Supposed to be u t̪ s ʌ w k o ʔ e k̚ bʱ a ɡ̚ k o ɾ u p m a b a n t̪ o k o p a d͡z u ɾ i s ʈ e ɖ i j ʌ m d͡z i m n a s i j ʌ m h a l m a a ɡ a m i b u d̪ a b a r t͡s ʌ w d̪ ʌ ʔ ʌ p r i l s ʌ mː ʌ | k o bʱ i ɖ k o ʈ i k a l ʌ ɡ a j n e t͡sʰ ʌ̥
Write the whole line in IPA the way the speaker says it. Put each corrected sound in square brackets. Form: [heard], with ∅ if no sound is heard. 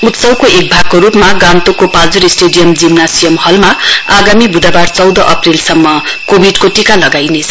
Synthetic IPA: u t̪ s ʌ w k o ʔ e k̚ bʱ a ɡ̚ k o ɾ u p m a [ɡ] a n t̪ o k o p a d͡z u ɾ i s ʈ e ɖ i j ʌ m d͡z i m n a s i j ʌ m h [ʌ] l m a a ɡ a m i b u d̪ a b a r t͡s ʌ w d̪ ʌ ʔ ʌ p r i l s ʌ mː ʌ | k o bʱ i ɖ k o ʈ i k a l ʌ ɡ a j n e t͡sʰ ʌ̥